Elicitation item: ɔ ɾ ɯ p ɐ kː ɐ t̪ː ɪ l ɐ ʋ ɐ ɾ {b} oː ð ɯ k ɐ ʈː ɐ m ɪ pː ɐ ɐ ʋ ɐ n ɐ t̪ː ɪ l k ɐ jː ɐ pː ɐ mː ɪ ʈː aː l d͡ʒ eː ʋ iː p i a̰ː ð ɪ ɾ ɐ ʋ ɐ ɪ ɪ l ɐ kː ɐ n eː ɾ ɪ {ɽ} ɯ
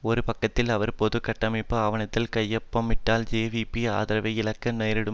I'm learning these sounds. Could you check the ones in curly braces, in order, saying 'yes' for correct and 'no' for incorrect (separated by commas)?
no, yes